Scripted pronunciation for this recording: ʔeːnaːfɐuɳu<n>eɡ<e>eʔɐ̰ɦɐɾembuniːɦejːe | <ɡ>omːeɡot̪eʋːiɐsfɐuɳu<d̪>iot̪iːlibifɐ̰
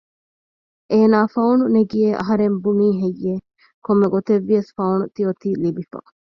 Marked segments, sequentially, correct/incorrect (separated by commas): correct, incorrect, incorrect, incorrect